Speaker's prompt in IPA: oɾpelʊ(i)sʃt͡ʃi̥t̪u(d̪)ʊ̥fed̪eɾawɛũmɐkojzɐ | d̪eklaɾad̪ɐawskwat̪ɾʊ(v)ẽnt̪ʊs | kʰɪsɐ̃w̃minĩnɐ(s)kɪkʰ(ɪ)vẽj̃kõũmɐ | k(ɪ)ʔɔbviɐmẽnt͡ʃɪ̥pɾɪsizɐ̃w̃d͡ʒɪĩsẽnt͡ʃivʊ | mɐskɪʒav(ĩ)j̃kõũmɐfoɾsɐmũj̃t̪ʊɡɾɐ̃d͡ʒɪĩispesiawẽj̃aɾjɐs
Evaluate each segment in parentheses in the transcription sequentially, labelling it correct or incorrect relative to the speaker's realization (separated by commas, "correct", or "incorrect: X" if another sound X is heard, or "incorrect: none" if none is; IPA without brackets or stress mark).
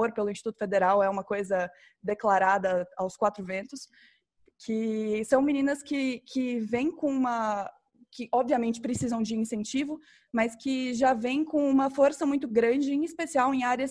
incorrect: ĩ, incorrect: t̪, correct, correct, correct, correct, incorrect: ẽ